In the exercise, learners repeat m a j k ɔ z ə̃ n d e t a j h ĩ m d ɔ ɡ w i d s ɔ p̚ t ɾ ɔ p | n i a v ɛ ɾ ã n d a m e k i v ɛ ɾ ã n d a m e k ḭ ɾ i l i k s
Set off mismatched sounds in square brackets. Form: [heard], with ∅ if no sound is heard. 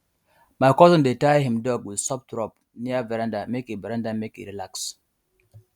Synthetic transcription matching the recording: m a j k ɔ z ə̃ n d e t a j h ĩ m d ɔ ɡ w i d s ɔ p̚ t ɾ ɔ p | n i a v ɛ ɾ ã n d a m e k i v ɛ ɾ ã n d a m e k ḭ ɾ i l [a] k s